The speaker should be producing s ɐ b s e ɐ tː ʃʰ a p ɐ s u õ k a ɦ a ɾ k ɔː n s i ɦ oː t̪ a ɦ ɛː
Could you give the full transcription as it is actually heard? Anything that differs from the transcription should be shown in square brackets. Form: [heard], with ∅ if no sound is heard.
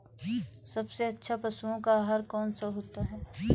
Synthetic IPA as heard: s ɐ b s e ɐ tː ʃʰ a p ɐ s u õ k a ɦ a ɾ k ɔː n s [a] ɦ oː t̪ a ɦ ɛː